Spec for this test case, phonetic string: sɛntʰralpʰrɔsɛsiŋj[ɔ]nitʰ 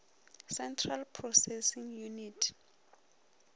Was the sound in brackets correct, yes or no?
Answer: no